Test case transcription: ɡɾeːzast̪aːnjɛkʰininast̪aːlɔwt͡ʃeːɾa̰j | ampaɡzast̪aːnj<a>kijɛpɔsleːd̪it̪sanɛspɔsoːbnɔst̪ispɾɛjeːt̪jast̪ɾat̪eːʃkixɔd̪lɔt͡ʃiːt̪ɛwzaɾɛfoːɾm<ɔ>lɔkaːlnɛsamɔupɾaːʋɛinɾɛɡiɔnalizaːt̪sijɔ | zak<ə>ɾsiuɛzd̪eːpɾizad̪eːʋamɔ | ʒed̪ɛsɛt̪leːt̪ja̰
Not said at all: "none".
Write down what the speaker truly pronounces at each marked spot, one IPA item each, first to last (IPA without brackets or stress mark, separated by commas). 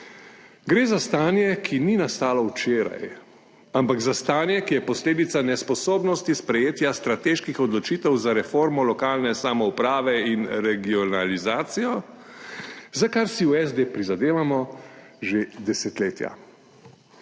ɛ, ɔ, a